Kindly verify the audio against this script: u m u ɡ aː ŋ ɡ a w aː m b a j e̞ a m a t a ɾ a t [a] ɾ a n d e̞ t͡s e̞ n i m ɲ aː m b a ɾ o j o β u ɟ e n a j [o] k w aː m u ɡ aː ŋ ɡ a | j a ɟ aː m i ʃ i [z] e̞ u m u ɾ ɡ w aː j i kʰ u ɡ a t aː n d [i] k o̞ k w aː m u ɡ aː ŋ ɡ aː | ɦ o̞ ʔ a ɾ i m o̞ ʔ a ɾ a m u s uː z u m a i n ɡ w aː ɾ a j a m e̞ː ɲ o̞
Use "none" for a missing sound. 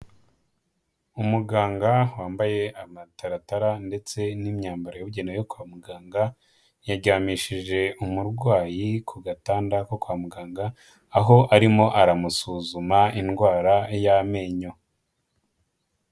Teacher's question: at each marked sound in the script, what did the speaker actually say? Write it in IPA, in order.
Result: a, o, ʒ, a

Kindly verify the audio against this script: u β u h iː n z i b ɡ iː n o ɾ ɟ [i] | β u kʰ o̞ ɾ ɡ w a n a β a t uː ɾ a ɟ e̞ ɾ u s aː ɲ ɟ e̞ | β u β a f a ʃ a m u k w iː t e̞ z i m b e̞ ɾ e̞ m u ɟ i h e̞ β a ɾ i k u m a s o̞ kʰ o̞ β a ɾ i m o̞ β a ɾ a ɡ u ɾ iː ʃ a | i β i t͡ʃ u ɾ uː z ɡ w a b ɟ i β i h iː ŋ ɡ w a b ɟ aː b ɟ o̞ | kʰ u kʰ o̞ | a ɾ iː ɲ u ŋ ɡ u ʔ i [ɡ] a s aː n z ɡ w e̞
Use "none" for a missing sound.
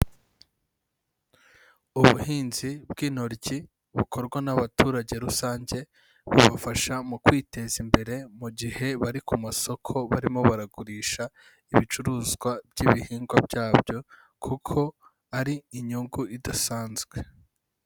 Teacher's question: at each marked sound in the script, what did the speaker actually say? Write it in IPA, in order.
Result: i, d

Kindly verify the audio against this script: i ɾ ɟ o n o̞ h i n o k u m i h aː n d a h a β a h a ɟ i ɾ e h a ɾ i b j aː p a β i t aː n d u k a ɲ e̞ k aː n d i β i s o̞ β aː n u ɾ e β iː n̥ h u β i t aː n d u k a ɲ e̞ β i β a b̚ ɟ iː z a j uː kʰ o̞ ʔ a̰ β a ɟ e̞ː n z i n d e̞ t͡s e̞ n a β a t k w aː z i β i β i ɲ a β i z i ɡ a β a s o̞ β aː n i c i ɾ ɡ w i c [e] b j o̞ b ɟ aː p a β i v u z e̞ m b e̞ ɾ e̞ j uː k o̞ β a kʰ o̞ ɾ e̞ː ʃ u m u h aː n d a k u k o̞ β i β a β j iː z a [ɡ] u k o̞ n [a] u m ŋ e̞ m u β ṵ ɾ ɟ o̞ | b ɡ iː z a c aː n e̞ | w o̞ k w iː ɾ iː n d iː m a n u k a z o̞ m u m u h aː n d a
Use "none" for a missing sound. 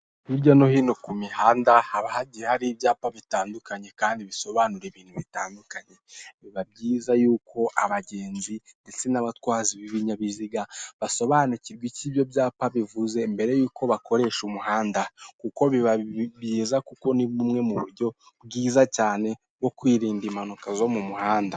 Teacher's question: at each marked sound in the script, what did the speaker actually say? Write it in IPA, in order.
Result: i, k, i

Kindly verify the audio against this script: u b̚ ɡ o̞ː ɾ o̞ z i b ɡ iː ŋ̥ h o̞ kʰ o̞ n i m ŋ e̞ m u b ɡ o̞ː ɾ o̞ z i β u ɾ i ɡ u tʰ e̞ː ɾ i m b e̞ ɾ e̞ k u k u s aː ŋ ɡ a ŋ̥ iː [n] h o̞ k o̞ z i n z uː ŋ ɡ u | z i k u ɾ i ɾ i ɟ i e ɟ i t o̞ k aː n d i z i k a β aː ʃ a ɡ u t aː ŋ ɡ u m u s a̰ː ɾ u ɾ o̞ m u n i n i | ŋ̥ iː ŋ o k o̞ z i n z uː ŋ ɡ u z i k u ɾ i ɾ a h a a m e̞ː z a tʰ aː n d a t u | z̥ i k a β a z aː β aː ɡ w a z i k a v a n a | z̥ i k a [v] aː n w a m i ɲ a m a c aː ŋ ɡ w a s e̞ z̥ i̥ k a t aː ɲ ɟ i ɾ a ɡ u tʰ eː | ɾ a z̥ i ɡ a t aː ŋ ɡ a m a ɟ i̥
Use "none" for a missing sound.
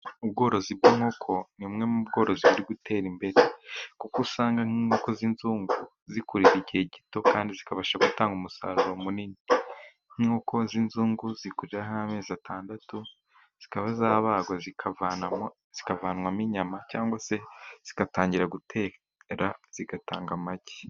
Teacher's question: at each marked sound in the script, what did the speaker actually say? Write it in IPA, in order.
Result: ŋ, v

